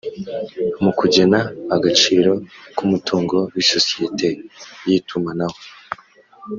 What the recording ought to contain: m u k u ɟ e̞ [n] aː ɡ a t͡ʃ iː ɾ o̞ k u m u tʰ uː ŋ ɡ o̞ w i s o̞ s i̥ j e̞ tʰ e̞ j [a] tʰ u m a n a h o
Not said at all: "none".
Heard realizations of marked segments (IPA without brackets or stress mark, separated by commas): n, i